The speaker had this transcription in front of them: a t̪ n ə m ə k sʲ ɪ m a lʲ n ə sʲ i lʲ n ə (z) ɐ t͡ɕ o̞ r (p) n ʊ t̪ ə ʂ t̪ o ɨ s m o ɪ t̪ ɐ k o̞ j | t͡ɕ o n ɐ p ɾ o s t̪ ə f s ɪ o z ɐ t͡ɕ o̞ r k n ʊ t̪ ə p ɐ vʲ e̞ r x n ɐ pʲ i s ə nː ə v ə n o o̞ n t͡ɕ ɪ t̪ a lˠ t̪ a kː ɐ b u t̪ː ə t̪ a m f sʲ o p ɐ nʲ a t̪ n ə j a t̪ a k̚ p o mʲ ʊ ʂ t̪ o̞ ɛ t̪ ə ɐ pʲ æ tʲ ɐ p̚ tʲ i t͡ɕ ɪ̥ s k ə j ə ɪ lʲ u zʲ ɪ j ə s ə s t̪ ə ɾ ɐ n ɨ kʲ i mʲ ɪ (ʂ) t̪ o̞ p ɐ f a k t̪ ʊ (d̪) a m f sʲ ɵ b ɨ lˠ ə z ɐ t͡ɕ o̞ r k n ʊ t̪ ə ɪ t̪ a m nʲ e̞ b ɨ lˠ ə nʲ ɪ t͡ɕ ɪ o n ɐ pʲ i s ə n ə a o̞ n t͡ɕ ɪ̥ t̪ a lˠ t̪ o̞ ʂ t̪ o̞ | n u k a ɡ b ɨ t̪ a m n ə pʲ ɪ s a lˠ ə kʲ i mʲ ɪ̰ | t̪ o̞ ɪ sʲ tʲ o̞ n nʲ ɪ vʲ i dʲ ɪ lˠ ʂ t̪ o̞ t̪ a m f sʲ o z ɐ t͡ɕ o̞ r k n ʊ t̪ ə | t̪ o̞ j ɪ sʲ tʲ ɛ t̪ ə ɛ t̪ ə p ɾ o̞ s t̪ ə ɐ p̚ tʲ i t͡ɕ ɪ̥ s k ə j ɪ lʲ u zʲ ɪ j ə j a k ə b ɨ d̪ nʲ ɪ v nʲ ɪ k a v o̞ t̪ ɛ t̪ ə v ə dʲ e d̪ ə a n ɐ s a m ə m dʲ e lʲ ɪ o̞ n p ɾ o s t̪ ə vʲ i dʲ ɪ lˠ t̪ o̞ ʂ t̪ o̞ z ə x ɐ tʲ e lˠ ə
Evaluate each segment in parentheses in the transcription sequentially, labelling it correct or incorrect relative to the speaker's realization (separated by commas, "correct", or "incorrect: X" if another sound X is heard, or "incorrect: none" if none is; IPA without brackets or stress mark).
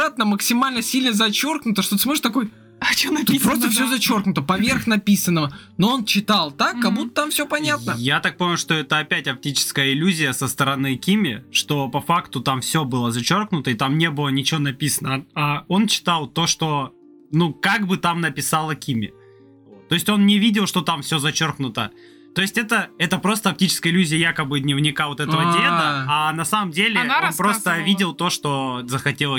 correct, incorrect: k, correct, incorrect: t̪